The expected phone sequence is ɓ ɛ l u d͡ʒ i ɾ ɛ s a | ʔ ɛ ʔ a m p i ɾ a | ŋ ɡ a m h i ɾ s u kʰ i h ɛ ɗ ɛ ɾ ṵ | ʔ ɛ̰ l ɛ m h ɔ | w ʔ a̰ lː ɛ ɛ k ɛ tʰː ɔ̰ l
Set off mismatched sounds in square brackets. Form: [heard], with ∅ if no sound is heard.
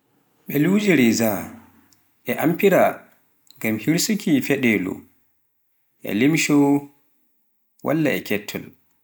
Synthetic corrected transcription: ɓ ɛ l u d͡ʒ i ɾ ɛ [z] a | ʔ ɛ ʔ a m p i ɾ a | ŋ ɡ a m h i ɾ s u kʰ i [f] ɛ ɗ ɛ [l] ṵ | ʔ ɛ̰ l [i] m [ʃ] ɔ | w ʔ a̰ lː [a] ɛ k ɛ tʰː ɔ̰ l